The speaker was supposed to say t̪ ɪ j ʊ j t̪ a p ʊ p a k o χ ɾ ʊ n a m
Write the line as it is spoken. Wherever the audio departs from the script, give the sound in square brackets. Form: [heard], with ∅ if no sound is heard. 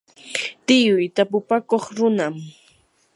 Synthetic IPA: t̪ ɪ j ʊ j t̪ a p ʊ p a k o χ ɾ ʊ n a m